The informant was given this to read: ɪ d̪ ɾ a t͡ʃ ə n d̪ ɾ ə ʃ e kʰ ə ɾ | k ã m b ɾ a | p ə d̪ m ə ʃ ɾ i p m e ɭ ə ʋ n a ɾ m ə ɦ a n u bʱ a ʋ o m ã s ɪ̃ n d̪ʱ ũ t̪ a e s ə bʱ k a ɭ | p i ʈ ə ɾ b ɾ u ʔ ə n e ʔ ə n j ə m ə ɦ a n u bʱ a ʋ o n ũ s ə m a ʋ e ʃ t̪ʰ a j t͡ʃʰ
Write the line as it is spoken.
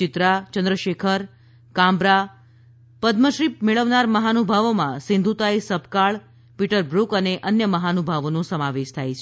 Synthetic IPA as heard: ɪ t̪ ɾ a t͡ʃ ə n d̪ ɾ ə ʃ e kʰ ə ɾ | k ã m b ɾ a | p ə d̪ m ə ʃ ɾ i p m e ɭ ə ʋ n a ɾ m ə ɦ a n u bʱ a ʋ o m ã s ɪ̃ n d̪ʱ u t̪ a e s ə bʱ k a ɭ | p i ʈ ə ɾ b ɾ u k ə n e ʔ ə n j ə m ə ɦ a n u bʱ a ʋ o n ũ s ə m a ʋ e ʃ t̪ʰ a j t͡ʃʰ